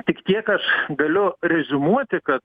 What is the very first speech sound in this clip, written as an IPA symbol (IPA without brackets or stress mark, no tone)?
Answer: t̪ʲ